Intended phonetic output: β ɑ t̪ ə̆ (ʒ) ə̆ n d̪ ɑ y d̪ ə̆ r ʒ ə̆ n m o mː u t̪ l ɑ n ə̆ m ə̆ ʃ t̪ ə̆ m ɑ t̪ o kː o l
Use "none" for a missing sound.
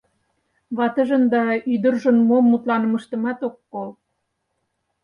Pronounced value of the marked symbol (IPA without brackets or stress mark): ʒ